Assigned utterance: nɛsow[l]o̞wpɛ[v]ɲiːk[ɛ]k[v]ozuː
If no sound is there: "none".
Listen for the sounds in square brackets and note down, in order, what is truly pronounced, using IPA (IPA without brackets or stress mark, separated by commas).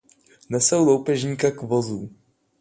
l, ʒ, a, v